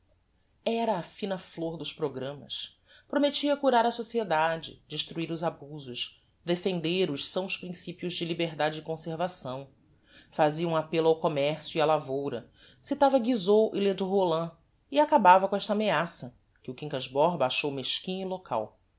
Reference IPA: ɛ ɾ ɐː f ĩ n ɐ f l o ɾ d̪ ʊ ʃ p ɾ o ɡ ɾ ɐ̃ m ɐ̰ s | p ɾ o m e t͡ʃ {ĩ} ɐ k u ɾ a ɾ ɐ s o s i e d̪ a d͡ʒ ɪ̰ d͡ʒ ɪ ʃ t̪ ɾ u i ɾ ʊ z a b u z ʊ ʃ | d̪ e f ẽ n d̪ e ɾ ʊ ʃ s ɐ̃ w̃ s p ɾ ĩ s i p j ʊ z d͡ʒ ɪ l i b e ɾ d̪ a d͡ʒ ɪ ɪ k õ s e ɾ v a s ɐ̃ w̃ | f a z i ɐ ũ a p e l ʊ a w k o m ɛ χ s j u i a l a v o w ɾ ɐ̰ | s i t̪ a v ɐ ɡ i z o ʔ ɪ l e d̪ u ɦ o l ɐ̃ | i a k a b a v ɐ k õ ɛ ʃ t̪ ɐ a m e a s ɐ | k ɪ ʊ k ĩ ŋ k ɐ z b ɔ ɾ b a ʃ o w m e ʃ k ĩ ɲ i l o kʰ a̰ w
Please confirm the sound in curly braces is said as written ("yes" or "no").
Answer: no